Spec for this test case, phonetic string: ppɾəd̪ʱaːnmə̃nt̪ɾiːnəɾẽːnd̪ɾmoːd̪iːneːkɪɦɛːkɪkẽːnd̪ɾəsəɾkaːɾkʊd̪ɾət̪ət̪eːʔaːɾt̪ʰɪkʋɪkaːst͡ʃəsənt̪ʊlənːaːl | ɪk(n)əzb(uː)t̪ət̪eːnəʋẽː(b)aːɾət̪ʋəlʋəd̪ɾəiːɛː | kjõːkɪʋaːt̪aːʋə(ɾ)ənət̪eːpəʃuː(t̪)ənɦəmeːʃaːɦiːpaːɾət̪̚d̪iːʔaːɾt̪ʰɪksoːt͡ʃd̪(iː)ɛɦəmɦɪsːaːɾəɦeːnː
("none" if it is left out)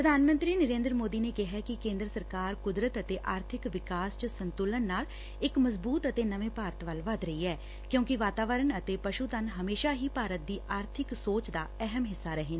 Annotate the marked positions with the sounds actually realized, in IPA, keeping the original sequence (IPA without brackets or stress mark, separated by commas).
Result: m, uː, p, ɾ, t̪, aː